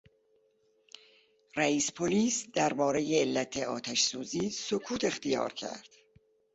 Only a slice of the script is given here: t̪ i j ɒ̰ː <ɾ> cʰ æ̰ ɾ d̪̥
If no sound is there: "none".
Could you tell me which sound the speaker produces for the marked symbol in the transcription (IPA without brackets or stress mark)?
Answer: ɾ